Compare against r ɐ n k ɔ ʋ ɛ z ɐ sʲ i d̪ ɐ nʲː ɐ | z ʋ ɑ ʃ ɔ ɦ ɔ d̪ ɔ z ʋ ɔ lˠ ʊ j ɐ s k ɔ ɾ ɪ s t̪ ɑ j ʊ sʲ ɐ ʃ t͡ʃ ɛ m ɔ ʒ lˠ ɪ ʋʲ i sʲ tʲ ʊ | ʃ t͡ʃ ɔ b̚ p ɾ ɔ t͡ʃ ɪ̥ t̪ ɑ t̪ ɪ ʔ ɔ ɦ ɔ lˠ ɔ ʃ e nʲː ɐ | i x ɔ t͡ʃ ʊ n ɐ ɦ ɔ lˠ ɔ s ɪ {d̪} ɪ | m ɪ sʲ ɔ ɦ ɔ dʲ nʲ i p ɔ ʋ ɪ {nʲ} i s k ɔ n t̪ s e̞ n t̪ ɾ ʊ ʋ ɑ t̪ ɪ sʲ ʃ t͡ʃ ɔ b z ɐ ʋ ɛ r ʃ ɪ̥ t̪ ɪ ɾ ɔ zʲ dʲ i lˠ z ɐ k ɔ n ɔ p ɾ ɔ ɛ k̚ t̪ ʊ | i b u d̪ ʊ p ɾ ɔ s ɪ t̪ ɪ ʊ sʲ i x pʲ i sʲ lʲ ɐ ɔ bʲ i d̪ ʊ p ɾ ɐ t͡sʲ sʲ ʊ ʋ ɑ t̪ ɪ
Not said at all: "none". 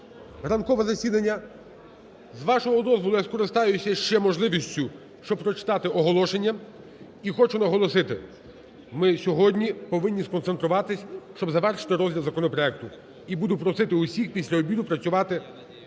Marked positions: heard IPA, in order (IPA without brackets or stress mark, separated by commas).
t̪, nʲː